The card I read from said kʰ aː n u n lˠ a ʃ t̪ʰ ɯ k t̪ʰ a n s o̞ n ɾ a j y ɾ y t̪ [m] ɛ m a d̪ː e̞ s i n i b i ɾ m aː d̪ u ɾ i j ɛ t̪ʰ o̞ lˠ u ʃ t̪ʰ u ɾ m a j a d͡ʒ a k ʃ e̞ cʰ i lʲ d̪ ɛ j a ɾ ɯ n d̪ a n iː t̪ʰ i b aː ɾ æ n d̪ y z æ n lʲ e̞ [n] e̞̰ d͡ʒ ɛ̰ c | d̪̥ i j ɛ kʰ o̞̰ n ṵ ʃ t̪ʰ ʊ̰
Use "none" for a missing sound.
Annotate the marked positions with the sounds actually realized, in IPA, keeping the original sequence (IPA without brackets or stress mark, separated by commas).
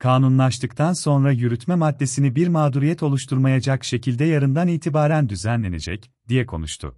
m, n